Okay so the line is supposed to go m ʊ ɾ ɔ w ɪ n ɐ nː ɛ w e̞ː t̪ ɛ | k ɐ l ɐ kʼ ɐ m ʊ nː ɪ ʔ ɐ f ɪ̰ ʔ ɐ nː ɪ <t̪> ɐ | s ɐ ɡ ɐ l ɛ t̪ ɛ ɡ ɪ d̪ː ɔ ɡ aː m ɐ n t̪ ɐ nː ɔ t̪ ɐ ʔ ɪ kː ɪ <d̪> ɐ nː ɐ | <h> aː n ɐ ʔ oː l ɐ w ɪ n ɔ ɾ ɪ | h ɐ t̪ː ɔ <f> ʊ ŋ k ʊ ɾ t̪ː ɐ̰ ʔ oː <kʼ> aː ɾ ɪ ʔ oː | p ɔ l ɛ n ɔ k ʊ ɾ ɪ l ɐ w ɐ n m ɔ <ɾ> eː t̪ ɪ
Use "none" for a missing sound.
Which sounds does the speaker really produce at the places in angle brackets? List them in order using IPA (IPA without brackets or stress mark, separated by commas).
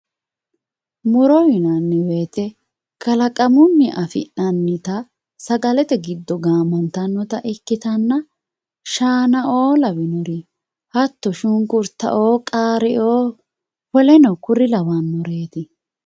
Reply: t̪, t̪, ʃ, ʃ, kʼ, ɾ